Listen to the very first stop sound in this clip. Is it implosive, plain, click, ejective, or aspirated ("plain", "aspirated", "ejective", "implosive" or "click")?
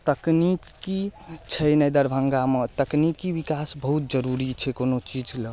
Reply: plain